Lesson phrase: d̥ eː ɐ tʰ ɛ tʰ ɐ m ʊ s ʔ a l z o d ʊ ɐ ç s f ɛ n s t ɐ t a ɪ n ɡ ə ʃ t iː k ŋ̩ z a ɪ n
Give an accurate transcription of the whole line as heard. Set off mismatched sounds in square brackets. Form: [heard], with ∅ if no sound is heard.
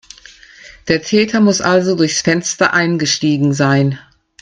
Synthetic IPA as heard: d̥ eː ɐ tʰ [ɛː] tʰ ɐ m ʊ s ʔ a l z o d ʊ ɐ ç s f ɛ n s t ɐ [ʔ] a ɪ n ɡ ə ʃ t iː [ɡ] ŋ̩ z a ɪ n